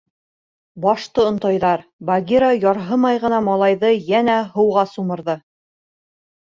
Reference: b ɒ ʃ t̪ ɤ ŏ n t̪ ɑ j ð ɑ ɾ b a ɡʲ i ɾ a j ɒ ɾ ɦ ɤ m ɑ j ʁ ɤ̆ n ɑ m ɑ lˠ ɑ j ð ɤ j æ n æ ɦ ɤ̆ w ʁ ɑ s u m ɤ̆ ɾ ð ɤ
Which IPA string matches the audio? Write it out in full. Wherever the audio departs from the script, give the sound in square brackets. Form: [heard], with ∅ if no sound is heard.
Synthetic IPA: b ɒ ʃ t̪ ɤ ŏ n t̪ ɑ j ð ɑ ɾ b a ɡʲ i ɾ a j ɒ ɾ ɦ ɤ m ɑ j ʁ ɤ̆ n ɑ m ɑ lˠ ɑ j ð ɤ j æ n æ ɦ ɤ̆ w ʁ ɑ s u m ɤ̆ ɾ ð ɤ